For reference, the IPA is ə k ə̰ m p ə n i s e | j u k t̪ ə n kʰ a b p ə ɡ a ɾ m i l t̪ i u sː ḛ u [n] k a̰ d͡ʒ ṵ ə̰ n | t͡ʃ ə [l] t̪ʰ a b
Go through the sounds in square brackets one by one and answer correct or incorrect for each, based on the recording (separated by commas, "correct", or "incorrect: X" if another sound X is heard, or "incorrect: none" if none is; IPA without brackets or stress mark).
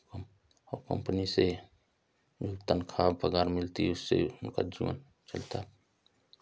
correct, correct